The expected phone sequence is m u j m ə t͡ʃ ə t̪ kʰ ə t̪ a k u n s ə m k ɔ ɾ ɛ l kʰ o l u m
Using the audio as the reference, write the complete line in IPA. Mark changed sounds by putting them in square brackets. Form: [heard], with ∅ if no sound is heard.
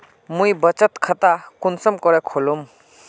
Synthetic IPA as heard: m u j [b] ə t͡ʃ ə t̪ kʰ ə t̪ a k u n s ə m k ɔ ɾ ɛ [∅] kʰ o l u m